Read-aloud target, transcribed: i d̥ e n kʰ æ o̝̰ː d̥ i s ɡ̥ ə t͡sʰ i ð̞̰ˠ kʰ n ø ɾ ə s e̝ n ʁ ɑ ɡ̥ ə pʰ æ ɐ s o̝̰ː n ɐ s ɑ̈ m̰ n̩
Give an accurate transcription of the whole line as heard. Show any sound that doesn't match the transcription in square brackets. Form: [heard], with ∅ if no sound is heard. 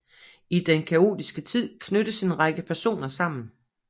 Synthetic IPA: i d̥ e n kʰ æ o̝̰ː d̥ i s ɡ̥ ə t͡sʰ i ð̞̰ˠ kʰ n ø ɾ ə s e̝ n ʁ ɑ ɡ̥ ə pʰ æ ɐ s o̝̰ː n ɐ s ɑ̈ m̰ n̩